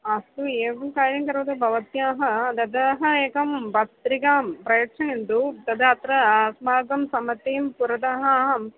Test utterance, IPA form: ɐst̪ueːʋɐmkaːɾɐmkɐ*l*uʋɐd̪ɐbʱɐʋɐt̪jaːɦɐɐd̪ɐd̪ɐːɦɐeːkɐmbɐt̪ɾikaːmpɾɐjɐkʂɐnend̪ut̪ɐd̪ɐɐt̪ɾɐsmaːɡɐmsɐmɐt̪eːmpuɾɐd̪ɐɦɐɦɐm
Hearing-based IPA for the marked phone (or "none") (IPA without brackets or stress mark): ɾ